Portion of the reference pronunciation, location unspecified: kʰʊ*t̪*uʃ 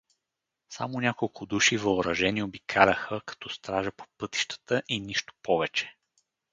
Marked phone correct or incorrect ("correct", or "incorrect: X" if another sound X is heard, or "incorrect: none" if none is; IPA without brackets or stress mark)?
incorrect: d̪